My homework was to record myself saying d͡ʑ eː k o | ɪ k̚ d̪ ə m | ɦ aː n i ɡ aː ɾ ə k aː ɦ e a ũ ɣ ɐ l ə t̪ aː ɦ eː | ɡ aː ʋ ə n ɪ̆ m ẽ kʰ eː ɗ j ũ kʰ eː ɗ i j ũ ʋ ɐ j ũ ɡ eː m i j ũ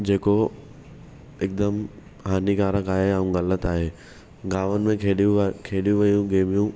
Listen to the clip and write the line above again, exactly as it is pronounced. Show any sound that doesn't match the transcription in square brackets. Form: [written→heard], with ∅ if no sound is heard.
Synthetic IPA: d͡ʑ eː k o | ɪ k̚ d̪ ə m | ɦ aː n i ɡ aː ɾ ə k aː ɦ e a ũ ɣ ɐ l ə t̪ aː ɦ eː | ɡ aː ʋ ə n ɪ̆ m ẽ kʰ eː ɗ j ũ kʰ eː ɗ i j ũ ʋ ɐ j ũ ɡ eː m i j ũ